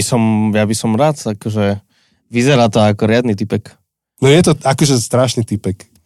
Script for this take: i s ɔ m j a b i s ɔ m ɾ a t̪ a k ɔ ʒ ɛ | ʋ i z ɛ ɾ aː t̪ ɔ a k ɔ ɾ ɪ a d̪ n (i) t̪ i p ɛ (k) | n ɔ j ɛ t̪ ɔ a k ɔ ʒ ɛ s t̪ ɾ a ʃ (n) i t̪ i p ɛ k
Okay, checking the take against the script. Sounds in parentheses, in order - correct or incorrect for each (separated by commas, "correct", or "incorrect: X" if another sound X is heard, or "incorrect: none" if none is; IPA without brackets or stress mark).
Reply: correct, correct, correct